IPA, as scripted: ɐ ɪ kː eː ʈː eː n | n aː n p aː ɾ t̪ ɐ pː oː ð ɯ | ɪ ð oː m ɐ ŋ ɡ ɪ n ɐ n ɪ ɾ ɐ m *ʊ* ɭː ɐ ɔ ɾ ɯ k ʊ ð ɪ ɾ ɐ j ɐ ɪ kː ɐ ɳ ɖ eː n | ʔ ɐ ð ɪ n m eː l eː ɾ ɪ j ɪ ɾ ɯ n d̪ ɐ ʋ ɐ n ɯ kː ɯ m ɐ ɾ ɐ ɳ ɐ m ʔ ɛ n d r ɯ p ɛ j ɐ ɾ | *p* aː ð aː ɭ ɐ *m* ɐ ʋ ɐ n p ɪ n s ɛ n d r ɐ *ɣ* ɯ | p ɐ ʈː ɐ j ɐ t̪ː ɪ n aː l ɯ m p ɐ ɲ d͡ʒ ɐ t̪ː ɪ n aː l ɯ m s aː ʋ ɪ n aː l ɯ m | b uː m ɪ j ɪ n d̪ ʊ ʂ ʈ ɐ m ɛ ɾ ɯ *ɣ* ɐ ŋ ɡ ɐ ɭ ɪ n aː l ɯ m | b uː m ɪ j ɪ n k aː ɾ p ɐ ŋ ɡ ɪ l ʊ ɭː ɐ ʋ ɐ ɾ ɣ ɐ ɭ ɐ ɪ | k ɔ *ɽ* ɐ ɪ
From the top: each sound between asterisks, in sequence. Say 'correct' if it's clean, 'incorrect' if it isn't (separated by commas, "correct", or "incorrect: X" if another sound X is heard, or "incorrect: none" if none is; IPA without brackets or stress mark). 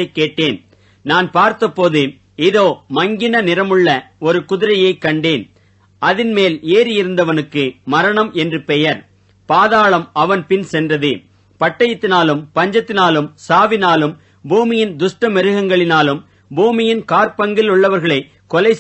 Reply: incorrect: ɯ, correct, correct, incorrect: ð, correct, incorrect: l